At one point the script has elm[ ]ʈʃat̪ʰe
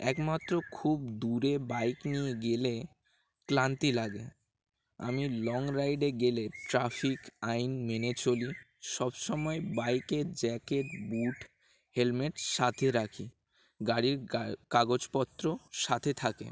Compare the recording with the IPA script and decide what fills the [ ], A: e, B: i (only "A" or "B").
A